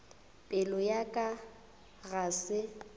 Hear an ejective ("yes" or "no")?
yes